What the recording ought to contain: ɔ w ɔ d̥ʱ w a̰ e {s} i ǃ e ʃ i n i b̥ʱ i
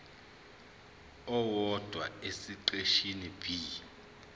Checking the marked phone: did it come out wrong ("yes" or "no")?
no